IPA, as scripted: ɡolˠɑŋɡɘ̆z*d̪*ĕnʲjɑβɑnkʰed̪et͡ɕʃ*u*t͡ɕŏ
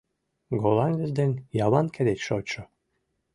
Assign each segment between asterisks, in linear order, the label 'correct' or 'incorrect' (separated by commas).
correct, incorrect